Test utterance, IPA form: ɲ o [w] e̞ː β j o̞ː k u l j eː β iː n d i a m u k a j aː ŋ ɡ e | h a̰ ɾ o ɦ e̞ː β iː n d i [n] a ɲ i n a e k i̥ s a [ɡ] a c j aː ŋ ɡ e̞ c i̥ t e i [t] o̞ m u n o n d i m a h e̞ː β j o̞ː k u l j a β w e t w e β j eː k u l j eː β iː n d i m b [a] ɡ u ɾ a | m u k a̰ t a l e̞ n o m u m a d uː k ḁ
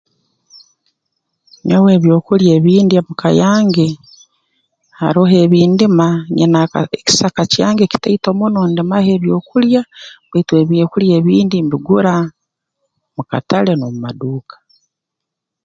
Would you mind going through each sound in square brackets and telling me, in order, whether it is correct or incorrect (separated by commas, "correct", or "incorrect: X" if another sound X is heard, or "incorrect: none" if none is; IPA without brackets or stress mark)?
correct, incorrect: m, incorrect: k, correct, incorrect: i